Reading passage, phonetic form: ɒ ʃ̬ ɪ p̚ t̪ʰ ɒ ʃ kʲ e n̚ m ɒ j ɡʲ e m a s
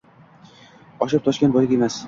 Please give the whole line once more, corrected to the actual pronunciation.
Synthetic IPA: ɒ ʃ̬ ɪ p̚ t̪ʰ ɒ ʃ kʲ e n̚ b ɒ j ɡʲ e m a s